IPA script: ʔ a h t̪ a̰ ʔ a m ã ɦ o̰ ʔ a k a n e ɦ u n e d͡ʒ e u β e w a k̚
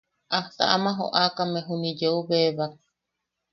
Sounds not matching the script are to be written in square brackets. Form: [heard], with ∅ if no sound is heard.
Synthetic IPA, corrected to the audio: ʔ a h t̪ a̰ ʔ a m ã ɦ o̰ ʔ a k a [m] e ɦ u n [i] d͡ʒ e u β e [β] a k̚